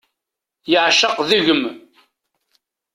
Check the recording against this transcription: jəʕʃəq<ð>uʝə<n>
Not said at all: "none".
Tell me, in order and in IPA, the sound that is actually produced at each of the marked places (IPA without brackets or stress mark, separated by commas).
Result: ð, m